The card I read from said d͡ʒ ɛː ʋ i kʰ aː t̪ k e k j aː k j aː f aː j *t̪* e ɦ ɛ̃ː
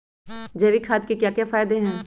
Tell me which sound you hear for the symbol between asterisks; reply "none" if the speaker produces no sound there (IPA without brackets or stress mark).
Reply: d̪